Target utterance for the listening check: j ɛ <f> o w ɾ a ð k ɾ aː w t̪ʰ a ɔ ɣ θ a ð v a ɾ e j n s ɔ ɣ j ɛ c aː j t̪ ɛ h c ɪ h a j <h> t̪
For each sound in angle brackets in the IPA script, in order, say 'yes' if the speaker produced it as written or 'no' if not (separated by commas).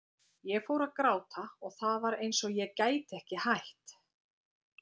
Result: yes, yes